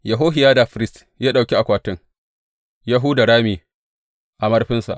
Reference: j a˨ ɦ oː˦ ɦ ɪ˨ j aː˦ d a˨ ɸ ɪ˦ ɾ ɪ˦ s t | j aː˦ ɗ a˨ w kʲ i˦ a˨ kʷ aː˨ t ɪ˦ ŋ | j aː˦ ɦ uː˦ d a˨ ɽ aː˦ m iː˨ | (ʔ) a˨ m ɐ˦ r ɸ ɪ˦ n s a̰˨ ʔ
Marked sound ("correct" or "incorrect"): correct